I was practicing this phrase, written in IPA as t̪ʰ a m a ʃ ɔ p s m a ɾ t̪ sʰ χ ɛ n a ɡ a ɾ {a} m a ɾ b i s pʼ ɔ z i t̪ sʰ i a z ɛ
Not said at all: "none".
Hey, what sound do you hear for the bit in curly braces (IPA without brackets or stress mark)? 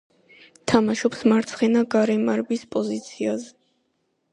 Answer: ɛ